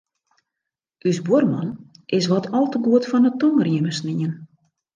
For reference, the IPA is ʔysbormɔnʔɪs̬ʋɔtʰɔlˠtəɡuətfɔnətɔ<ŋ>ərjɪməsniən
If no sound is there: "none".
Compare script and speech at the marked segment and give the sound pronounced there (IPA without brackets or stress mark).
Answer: ŋ